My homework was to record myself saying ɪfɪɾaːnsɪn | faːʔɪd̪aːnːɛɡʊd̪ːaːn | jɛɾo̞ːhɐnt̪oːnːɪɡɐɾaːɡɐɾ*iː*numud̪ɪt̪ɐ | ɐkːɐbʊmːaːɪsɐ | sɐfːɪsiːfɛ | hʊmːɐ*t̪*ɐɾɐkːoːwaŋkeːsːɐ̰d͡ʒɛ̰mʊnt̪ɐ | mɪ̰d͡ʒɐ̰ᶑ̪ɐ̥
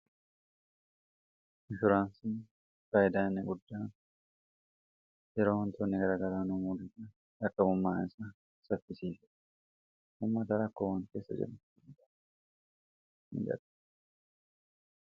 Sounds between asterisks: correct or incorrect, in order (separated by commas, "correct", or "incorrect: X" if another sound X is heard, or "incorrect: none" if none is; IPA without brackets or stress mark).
incorrect: aː, correct